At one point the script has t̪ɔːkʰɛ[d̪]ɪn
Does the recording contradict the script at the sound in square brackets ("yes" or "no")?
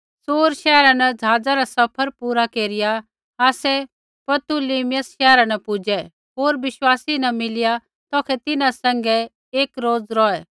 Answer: yes